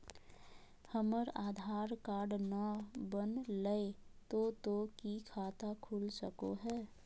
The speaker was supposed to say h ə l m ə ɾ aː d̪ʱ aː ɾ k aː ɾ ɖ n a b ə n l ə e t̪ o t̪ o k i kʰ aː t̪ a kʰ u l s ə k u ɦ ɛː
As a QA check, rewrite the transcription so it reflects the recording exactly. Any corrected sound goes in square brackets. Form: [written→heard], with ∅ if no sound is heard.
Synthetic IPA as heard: h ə [l→∅] m ə ɾ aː d̪ʱ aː ɾ k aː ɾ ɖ n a b ə n l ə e t̪ o t̪ o k i kʰ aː t̪ a kʰ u l s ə k [u→o] ɦ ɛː